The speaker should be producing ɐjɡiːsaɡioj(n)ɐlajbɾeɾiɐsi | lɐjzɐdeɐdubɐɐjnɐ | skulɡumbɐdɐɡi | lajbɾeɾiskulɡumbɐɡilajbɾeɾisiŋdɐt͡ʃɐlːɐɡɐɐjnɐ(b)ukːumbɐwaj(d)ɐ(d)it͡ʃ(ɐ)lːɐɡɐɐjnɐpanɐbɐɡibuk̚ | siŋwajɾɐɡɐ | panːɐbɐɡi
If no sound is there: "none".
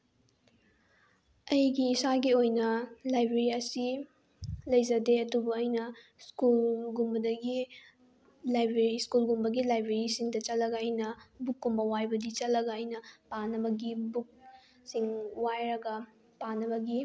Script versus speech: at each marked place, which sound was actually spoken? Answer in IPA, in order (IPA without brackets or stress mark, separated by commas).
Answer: n, b, b, d, ɐ